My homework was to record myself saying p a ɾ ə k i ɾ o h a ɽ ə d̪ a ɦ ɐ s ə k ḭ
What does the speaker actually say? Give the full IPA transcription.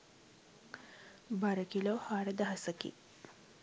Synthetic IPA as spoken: b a ɾ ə k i l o h a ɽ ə d̪ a ɦ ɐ s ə k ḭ